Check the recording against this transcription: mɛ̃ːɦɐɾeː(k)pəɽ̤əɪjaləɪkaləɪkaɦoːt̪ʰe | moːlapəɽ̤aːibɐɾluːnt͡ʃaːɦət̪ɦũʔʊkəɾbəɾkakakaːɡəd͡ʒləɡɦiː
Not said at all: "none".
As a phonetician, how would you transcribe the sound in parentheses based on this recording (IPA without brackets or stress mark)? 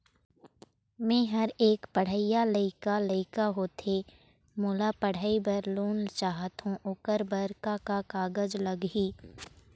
k